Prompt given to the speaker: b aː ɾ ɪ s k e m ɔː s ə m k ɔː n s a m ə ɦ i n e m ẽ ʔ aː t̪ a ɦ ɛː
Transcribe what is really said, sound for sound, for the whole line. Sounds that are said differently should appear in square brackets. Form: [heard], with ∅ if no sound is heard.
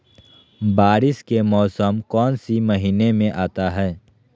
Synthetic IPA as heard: b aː ɾ ɪ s k e m ɔː s ə m k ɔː n s [i] m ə ɦ [iː] n e m ẽ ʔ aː t̪ a ɦ ɛː